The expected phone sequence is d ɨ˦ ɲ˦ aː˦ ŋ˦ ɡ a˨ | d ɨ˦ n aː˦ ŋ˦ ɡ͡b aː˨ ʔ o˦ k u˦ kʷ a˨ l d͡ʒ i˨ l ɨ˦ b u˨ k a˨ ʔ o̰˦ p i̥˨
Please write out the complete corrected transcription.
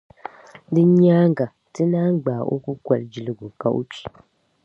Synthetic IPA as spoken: d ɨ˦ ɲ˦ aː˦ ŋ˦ ɡ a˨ | t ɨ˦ n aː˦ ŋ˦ ɡ͡b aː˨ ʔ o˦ k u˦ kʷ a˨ l d͡ʒ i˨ l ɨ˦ ɡ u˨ k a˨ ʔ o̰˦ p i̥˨